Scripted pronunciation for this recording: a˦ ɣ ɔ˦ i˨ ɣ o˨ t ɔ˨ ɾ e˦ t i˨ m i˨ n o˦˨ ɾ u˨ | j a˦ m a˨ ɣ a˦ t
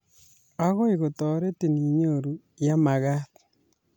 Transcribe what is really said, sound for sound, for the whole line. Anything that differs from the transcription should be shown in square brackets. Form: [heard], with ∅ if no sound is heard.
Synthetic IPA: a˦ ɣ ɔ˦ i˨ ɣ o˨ t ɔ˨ ɾ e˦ t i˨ [n] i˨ [ɲ] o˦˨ ɾ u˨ | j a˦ m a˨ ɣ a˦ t